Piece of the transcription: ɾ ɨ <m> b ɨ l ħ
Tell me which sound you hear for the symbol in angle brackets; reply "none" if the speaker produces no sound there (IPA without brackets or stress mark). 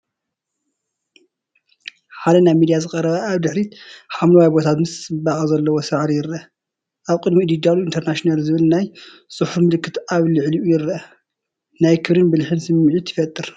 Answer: n